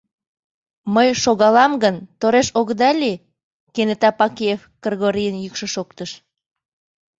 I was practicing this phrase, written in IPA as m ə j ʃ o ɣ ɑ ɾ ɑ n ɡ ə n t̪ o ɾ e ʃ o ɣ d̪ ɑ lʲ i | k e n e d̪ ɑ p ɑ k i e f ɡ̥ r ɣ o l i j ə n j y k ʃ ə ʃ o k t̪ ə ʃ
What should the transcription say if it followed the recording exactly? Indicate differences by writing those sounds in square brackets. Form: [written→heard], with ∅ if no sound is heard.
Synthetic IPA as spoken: m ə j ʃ o ɣ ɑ [ɾ→l] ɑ [n→m] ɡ ə n t̪ o ɾ e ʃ o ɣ d̪ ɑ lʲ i | k e n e [d̪→t̪] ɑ p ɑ k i e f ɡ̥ r ɣ o [l→ɾ] i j ə n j y k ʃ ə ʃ o k t̪ ə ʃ